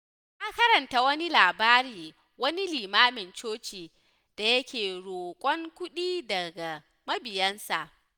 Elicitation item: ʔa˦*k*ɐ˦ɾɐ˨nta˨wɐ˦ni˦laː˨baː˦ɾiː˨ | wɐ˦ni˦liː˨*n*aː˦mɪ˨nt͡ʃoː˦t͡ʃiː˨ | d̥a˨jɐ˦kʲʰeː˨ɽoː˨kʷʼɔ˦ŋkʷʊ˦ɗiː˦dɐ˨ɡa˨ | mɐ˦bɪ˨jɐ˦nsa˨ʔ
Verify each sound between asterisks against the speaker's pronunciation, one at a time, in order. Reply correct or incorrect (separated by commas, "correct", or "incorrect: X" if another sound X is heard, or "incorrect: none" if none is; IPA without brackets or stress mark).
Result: correct, incorrect: m